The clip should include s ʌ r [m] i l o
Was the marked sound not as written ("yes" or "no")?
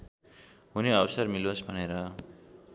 no